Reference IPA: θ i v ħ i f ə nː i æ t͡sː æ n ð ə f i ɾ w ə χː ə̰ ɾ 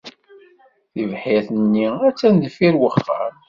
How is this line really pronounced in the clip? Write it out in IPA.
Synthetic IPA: θ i v ħ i θ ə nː i æ t͡sː æ n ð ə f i ɾ w ə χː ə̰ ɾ